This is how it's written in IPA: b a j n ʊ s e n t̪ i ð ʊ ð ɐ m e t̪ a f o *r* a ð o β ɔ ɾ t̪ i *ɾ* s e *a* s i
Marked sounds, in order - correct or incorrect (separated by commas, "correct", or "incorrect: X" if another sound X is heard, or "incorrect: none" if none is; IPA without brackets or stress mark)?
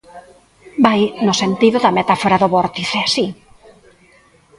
incorrect: ɾ, incorrect: none, correct